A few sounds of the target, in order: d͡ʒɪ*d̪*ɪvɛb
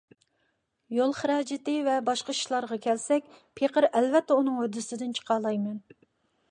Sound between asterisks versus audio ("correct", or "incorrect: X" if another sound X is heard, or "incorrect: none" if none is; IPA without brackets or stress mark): incorrect: t̪